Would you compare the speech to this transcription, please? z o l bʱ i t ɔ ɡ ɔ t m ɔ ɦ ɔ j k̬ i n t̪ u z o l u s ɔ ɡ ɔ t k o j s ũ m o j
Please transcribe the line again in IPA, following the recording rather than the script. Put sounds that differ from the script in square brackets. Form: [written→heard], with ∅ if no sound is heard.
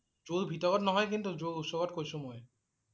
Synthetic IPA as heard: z o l bʱ i t ɔ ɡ ɔ t [m→n] ɔ ɦ ɔ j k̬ i n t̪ u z o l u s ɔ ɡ ɔ t k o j s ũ m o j